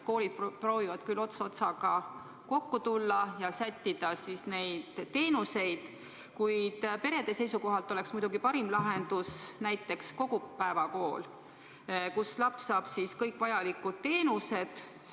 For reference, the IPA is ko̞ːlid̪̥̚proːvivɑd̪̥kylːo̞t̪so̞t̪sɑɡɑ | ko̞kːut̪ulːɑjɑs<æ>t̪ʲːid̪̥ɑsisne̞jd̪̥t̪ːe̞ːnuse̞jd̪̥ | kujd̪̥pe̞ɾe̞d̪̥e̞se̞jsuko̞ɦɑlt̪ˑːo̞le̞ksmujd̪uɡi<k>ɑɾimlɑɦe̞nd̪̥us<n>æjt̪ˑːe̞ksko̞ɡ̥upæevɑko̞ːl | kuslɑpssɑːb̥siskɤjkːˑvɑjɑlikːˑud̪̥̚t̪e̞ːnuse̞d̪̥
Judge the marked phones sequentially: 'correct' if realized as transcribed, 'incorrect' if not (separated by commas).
correct, incorrect, correct